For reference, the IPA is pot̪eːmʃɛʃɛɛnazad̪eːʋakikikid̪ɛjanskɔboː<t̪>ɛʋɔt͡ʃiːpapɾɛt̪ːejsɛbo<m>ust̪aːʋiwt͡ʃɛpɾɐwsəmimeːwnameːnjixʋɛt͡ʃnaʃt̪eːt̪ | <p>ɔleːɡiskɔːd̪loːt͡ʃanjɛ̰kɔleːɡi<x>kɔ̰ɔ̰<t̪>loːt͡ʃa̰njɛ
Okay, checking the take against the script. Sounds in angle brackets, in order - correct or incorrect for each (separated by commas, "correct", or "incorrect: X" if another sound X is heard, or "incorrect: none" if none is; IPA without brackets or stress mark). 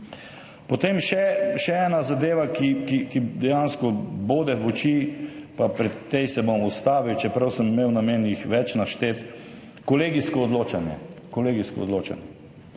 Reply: incorrect: d̪, correct, incorrect: k, incorrect: s, incorrect: d̪